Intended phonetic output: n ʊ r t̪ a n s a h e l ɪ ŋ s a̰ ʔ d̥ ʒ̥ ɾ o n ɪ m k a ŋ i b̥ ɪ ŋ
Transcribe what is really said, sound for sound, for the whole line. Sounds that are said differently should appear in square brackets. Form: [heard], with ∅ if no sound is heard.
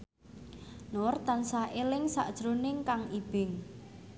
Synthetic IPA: n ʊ r t̪ a n s a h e l ɪ ŋ s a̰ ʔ d̥ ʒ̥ ɾ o n ɪ [ŋ] k a ŋ i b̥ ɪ ŋ